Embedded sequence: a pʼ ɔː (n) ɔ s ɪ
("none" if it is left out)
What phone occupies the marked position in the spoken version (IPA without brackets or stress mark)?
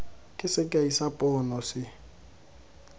n